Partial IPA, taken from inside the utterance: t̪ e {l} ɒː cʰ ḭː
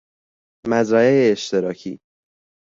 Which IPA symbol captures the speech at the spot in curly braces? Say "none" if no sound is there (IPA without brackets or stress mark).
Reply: ɾ